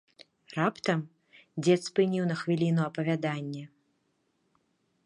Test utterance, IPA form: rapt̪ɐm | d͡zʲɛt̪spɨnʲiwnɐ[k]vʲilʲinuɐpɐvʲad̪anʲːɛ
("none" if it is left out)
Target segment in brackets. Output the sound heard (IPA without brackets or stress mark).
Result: x